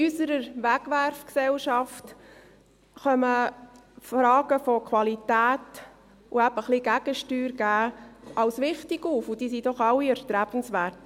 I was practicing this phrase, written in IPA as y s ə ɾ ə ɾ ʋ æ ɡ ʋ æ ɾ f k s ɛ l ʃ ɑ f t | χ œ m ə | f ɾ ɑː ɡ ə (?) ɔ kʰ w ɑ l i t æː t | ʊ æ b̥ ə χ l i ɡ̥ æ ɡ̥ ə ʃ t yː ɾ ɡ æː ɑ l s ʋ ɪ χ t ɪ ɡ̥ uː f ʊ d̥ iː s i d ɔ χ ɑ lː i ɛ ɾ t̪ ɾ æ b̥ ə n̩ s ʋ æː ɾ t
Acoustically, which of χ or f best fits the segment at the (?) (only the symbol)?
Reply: f